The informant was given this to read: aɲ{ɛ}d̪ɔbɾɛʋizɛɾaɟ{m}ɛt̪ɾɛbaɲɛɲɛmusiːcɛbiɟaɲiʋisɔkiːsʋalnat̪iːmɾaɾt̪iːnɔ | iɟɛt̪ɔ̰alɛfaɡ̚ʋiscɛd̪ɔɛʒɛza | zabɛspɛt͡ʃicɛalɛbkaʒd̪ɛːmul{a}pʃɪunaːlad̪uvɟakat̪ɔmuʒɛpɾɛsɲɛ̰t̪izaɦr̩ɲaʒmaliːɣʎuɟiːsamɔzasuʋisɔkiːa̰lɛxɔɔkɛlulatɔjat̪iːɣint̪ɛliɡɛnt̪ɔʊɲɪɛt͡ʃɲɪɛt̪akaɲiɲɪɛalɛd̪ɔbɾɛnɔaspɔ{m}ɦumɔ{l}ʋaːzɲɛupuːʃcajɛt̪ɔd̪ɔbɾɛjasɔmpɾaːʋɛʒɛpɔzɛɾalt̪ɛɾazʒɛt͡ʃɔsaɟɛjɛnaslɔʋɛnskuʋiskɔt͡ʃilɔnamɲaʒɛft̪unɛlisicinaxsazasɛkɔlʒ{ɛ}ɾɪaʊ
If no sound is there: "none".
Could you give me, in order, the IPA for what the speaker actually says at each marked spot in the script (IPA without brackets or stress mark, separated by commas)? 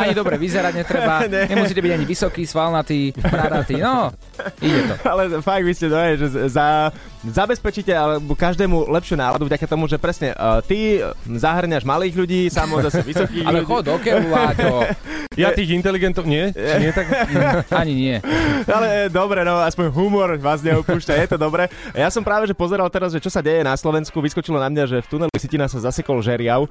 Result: i, ɲ, ɛ, ɲ, ɾ, ɛ